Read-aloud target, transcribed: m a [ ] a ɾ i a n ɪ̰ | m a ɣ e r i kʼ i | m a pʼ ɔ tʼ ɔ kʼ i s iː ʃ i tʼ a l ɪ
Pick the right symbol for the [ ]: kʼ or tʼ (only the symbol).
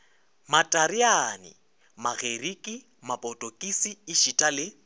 tʼ